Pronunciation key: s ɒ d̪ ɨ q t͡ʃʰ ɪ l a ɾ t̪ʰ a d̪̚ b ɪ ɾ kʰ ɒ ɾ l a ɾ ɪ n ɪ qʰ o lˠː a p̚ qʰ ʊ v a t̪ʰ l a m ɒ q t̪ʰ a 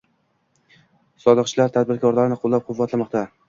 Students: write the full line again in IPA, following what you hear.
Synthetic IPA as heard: s ɒ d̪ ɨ q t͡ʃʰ ɪ l a ɾ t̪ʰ a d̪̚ b ɪ ɾ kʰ ɒ ɾ l a ɾ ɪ n ɪ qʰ o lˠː a p̚ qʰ ʊ vː a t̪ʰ l a m ɒ q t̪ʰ a